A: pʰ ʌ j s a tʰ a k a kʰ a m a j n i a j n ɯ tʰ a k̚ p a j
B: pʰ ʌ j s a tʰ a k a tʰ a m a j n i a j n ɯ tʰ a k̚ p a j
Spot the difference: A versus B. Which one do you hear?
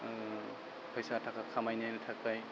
A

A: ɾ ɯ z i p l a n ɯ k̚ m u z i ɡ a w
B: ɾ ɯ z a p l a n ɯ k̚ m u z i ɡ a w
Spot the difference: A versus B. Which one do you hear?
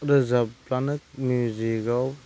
B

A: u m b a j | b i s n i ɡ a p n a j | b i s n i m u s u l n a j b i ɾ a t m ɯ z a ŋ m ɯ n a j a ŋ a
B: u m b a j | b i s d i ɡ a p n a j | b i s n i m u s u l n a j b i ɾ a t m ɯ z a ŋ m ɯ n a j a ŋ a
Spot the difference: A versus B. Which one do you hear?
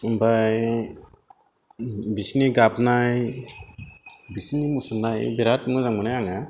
A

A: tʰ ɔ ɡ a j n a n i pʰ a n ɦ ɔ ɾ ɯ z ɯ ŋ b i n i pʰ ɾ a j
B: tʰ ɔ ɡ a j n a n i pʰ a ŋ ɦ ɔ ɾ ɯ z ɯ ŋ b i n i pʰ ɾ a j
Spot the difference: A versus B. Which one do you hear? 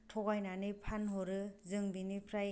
A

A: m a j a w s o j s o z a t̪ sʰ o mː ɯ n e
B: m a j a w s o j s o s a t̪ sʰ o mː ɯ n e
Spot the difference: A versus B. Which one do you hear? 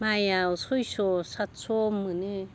B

